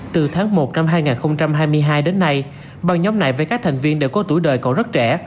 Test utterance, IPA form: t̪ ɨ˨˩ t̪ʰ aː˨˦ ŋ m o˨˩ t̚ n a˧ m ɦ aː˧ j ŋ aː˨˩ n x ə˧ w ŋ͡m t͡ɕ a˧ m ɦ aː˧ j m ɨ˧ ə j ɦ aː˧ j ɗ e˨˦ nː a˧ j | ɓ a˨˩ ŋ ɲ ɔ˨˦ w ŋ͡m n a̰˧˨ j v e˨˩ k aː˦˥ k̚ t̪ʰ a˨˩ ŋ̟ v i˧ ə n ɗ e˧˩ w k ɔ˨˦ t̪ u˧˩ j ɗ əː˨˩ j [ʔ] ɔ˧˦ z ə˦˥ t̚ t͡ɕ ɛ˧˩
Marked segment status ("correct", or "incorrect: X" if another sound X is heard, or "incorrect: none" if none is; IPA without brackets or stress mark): incorrect: k